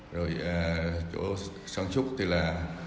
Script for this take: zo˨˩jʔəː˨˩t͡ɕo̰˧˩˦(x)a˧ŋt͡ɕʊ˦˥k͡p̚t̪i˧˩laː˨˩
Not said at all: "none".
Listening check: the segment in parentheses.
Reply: s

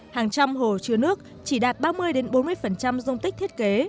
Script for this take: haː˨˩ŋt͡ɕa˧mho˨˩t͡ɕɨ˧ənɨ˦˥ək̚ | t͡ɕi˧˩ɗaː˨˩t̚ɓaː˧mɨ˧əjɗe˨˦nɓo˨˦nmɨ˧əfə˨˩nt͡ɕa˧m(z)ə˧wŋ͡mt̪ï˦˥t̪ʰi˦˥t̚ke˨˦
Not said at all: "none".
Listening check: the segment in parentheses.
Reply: z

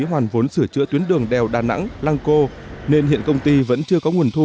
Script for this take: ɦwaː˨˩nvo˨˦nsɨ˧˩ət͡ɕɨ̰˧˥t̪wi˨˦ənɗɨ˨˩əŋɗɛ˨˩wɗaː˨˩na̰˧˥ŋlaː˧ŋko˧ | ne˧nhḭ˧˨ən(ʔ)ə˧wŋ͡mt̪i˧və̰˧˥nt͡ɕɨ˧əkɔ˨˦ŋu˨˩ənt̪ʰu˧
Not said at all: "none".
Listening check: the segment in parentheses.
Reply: k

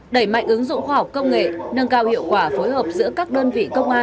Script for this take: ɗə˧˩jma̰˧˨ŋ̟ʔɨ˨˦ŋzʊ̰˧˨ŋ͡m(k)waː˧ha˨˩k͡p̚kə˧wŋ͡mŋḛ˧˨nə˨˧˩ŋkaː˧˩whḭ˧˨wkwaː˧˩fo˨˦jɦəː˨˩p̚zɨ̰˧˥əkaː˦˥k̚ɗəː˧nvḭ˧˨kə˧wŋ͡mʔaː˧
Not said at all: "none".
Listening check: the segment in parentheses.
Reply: x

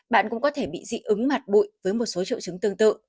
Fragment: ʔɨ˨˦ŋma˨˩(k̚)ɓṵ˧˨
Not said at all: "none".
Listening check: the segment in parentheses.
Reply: t̚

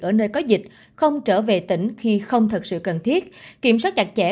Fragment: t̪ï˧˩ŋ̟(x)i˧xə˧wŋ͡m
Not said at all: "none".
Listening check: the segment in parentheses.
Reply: x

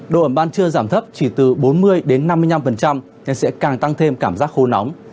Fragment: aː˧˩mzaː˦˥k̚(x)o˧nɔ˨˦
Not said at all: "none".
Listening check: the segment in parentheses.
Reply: x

